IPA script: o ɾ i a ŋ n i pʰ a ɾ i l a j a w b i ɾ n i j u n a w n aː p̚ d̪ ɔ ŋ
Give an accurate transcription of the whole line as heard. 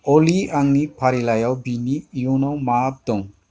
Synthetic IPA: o l i a ŋ n i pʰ a ɾ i l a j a w b i n i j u n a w m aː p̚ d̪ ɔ ŋ